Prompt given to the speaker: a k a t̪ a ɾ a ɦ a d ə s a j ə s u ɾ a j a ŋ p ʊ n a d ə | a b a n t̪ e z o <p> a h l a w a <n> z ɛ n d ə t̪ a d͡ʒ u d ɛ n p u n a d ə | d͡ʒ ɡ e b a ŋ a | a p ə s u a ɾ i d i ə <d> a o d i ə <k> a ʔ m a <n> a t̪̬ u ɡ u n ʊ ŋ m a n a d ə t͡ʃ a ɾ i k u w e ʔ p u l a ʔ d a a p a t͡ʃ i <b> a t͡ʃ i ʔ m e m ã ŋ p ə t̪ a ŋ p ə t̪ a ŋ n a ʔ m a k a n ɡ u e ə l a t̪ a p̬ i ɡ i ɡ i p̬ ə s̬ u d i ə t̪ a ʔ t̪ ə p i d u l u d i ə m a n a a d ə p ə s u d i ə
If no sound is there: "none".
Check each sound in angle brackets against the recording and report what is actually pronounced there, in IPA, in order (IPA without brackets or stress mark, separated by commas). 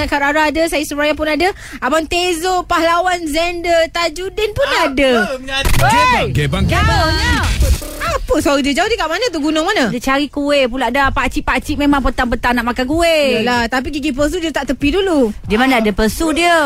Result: p, n, d͡ʒ, k, n, p